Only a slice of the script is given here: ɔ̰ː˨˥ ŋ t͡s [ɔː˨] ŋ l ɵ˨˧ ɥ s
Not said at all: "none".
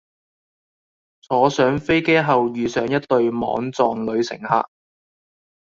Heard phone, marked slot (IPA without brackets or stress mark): ɔː˨